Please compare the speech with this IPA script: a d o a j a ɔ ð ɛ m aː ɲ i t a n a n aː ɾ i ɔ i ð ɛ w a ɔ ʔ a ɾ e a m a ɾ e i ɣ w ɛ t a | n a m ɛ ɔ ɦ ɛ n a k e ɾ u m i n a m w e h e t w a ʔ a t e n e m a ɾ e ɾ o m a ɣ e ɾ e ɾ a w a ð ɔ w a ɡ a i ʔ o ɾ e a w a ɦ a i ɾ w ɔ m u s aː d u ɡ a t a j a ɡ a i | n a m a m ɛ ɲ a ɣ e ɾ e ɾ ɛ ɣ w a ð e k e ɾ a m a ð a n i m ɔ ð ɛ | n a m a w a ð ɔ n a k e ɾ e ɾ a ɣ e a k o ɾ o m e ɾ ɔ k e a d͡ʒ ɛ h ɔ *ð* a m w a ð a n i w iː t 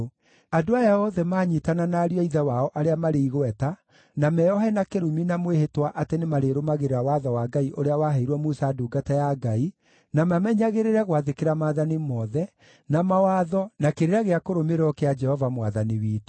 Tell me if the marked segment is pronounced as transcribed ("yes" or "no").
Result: no